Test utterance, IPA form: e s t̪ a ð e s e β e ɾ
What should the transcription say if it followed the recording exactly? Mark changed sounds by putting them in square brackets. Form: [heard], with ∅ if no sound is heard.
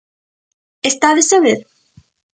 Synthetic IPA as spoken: e s t̪ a ð e s [a] β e ɾ